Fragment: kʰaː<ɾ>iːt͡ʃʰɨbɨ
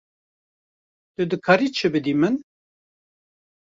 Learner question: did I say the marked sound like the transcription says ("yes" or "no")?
yes